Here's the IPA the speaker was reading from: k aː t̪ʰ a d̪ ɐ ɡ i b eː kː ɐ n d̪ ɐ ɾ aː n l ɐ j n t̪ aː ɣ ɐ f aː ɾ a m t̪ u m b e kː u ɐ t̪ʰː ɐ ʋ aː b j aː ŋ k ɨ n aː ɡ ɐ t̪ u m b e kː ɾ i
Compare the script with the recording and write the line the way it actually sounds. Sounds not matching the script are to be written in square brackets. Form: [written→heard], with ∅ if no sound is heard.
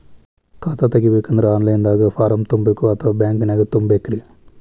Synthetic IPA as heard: k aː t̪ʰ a [d̪→t̪] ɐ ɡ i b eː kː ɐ n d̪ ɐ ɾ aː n l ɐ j n [t̪→d̪] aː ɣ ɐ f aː ɾ [a→ɐ] m t̪ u m b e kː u ɐ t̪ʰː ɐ ʋ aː b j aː ŋ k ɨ n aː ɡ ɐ t̪ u m b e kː ɾ i